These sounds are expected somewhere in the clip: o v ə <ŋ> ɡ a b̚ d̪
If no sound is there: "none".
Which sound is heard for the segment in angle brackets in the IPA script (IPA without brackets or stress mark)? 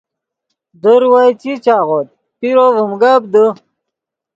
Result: m